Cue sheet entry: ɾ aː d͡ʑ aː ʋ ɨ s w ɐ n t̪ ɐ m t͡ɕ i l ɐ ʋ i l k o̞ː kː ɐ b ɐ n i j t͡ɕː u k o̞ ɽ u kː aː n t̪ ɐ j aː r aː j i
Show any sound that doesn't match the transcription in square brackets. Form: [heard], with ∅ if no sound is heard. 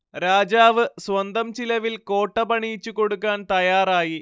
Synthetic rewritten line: ɾ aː d͡ʑ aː ʋ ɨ s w ɐ n [d̪] ɐ m t͡ɕ i l ɐ ʋ i l k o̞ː [ʈː] ɐ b ɐ [ɳ] i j t͡ɕː u k o̞ ɽ u kː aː n t̪ ɐ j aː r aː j i